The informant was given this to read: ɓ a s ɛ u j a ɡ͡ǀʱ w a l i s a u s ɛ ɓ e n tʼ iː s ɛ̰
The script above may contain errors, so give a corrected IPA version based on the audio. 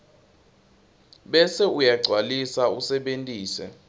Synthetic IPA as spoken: ɓ ɛ s ɛ u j a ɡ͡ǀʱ w a l i s a u s ɛ ɓ e n tʼ iː s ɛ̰